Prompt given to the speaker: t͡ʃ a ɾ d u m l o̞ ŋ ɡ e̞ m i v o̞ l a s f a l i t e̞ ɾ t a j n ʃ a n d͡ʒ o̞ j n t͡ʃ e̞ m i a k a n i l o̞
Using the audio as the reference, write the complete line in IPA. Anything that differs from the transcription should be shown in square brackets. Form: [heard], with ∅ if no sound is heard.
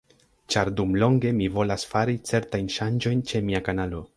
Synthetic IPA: t͡ʃ a ɾ d u m l o̞ ŋ ɡ e̞ m i v o̞ l a s f a [ɾ] i [t͡s] e̞ ɾ t a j n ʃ a n d͡ʒ o̞ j n t͡ʃ e̞ m i a k a n [a] l o̞